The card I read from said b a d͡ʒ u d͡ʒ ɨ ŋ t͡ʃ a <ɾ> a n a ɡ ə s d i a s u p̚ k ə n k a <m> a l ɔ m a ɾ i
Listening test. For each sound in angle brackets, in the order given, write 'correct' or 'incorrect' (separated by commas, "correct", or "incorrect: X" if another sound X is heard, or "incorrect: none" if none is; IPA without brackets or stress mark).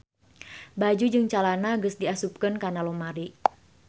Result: incorrect: l, incorrect: n